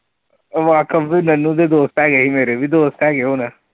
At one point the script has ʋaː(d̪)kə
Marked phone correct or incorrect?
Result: incorrect